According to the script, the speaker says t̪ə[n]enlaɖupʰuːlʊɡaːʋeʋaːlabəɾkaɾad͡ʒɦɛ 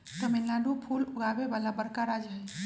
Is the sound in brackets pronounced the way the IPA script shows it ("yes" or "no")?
no